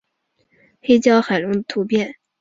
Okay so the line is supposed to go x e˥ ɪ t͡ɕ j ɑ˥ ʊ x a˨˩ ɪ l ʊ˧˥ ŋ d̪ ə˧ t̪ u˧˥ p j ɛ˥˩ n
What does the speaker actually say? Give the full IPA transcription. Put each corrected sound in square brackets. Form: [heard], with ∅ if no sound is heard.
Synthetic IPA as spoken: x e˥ ɪ t͡ɕ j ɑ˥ ʊ x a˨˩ ɪ l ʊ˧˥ ŋ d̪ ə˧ [t̪ʰ] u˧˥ p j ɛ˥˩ n